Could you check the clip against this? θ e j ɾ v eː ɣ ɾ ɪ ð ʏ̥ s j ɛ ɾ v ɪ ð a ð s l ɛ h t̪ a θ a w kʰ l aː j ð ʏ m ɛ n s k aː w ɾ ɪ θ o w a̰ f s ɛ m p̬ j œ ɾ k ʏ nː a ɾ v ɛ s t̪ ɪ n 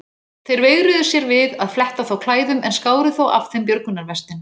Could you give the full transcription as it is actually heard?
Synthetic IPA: θ e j ɾ v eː ɣ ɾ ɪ ð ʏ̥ s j ɛ ɾ v ɪ ð a ð f l ɛ h t̪ a θ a w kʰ l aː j ð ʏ m ɛ n s k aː w ɾ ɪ θ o w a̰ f θ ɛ m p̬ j œ ɾ k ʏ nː a ɾ v ɛ s t̪ ɪ n